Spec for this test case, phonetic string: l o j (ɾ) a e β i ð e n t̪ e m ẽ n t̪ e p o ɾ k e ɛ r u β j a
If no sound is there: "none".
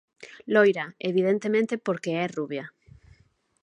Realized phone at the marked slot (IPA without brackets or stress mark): ɾ